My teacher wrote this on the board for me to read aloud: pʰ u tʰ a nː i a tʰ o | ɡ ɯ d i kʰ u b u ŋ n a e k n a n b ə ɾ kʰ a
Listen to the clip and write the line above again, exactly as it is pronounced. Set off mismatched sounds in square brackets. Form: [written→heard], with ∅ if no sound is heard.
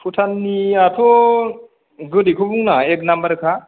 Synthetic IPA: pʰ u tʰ a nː i a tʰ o | ɡ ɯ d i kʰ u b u ŋ n a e k n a [n→m] b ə ɾ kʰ a